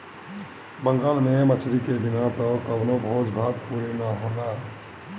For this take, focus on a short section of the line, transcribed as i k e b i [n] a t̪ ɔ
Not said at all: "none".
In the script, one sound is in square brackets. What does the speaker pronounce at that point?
n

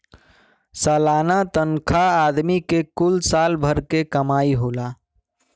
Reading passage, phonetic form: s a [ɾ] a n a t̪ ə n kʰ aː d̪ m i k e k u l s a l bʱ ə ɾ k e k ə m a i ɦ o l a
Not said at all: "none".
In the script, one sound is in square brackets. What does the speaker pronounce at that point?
l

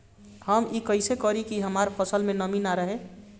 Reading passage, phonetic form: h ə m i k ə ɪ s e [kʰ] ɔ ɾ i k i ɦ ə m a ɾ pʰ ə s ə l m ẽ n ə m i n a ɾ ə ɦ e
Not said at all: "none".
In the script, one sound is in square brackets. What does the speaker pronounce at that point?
k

